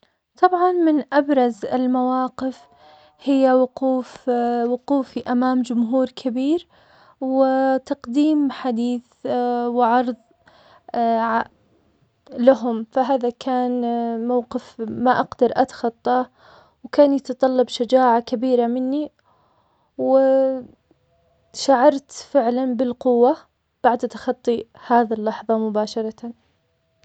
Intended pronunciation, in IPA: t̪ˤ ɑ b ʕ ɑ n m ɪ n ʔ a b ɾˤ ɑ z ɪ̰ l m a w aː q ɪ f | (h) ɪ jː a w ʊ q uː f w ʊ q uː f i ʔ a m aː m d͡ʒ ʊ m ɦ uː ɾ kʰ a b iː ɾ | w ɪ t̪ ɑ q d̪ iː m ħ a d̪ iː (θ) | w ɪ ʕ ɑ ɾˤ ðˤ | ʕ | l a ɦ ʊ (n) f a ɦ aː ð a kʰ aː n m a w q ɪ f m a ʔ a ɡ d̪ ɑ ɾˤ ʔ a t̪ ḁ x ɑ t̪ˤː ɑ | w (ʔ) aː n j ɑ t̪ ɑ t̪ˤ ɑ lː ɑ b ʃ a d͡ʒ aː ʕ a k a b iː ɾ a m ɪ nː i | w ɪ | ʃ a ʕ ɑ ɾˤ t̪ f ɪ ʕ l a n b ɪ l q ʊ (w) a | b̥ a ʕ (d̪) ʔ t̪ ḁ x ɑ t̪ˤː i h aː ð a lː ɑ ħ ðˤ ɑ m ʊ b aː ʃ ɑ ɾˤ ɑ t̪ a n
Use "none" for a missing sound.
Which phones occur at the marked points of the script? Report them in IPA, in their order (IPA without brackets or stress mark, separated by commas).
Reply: h, θ, m, k, wː, d̪